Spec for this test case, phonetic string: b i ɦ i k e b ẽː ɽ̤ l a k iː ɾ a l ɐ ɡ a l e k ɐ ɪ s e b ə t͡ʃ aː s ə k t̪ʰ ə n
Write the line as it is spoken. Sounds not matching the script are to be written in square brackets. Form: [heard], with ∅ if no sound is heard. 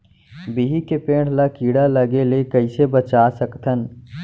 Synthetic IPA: b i ɦ i k e [p] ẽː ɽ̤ l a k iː [ɽ] a l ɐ ɡ [e] l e k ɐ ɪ s e b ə t͡ʃ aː s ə k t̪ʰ ə n